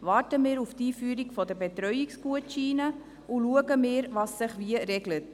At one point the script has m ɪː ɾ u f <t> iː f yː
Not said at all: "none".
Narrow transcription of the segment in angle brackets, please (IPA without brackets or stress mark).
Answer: t